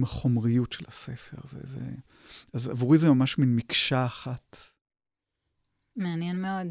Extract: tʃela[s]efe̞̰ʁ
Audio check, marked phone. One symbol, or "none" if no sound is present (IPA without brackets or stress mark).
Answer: s